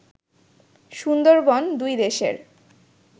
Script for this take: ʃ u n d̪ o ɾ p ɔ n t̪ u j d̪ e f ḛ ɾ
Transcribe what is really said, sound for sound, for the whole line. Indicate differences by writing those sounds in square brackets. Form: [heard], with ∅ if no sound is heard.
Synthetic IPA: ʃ u n d̪ o ɾ [b] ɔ n [d̪] u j d̪ e [ʃ] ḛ ɾ